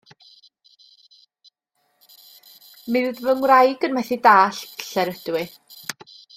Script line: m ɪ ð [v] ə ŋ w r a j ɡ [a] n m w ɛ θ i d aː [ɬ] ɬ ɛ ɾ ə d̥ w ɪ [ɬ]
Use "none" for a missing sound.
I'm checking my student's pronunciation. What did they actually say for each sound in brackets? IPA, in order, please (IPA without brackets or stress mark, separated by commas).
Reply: v, ə, ɬ, none